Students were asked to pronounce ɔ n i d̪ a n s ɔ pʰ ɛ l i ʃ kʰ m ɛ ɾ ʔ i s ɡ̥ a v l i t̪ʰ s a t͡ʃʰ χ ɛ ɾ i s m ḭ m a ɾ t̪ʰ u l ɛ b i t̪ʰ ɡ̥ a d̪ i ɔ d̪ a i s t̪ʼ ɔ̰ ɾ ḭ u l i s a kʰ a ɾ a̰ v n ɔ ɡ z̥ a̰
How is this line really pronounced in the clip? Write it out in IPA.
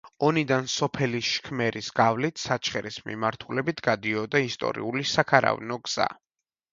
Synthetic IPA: ɔ n i d̪ a n s ɔ pʰ ɛ l i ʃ kʰ m ɛ ɾ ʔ i s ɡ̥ a v l i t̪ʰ s a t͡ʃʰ χ ɛ ɾ i s m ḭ m a ɾ t̪ʰ u l ɛ b i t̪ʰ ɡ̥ a d̪ i ɔ d̪ a i s t̪ʼ ɔ̰ ɾ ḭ u l i s a kʰ a ɾ a̰ v n ɔ ɡ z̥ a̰